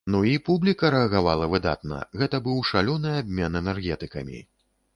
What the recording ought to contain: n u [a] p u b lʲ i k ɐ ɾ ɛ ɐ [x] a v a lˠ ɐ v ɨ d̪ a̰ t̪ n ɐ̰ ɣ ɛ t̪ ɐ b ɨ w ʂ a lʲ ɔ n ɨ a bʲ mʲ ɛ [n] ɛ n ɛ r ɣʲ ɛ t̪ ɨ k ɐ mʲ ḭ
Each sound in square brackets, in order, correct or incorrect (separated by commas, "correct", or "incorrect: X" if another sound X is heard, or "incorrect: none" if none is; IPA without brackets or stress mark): incorrect: i, incorrect: ɣ, correct